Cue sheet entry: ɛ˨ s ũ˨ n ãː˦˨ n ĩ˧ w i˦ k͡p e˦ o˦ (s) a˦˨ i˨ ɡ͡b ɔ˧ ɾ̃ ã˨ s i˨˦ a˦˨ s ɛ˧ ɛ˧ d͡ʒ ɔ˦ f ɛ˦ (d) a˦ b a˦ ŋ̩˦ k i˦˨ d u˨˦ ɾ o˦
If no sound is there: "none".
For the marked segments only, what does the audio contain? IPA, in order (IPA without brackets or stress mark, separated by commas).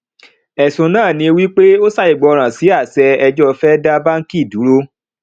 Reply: s, d